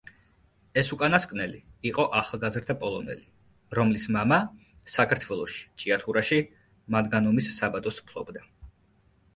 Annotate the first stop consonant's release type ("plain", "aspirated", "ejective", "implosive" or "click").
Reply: ejective